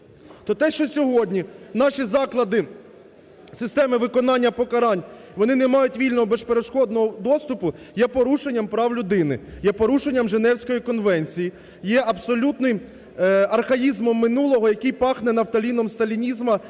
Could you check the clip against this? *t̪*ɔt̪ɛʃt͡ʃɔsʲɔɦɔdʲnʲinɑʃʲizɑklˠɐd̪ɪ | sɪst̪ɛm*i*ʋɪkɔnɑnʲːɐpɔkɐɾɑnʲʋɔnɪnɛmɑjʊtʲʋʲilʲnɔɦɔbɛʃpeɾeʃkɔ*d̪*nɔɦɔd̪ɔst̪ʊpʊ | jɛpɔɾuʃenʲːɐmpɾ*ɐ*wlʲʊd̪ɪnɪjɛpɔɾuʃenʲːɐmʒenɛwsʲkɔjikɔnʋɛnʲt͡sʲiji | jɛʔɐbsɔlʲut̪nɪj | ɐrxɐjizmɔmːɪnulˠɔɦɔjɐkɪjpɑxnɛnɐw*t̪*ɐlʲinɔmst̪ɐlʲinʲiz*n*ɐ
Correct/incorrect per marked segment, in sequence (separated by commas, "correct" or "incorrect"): correct, incorrect, correct, incorrect, correct, incorrect